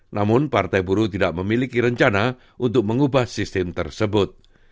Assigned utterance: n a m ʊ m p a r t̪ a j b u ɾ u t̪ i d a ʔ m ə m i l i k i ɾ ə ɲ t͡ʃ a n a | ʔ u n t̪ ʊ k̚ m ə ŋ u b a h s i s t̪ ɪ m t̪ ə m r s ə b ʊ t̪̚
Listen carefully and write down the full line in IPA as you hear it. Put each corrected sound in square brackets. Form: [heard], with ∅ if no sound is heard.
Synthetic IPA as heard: n a m ʊ [n] p a r t̪ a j b u ɾ u t̪ i d a ʔ m ə m i l i k i ɾ ə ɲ t͡ʃ a n a | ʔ u n t̪ ʊ k̚ m ə ŋ u b a h s i s t̪ ɪ m t̪ ə [∅] r s ə b ʊ t̪̚